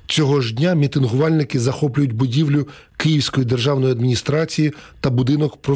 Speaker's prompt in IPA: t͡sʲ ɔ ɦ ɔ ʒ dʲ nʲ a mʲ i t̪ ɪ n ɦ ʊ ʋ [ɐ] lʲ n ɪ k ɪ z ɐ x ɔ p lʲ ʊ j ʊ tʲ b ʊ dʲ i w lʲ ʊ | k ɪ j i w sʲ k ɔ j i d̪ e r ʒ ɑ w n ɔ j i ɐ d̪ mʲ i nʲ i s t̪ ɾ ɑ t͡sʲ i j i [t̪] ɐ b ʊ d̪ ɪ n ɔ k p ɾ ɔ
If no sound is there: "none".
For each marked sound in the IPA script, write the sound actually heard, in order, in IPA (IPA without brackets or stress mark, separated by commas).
ɑ, t̪